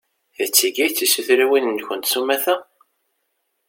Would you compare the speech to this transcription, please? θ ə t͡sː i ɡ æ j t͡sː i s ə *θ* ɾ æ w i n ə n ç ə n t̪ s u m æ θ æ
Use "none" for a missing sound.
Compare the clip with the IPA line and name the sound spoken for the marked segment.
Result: θ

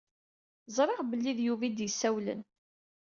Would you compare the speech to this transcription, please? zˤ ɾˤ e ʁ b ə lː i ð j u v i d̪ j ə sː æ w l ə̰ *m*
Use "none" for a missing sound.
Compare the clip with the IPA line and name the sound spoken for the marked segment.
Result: n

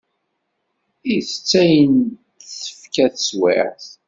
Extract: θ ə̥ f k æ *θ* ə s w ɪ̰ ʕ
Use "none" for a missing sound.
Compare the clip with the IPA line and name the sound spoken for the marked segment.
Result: θ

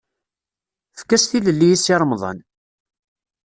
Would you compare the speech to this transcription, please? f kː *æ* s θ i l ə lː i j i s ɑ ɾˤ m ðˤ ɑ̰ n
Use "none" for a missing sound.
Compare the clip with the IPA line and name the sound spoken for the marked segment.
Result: æ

